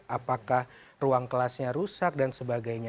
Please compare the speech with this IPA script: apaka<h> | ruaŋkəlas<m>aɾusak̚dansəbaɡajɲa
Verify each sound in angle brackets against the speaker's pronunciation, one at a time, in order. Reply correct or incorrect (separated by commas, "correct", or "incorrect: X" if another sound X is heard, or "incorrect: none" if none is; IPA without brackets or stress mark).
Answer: correct, incorrect: ɲ